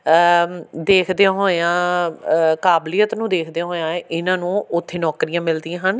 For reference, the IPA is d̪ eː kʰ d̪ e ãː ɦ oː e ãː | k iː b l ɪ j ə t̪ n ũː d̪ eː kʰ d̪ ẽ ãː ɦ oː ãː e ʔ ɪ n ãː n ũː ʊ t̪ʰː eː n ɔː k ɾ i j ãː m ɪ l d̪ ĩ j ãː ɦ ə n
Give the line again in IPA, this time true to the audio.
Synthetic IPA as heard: d̪ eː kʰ d̪ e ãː ɦ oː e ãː | k aː b l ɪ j ə t̪ n ũː d̪ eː kʰ d̪ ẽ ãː ɦ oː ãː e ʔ ɪ n ãː n ũː ʊ t̪ʰː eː n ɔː k ɾ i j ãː m ɪ l d̪ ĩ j ãː ɦ ə n